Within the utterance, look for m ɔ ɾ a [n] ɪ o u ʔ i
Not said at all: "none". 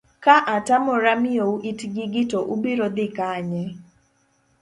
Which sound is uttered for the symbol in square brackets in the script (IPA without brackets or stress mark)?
m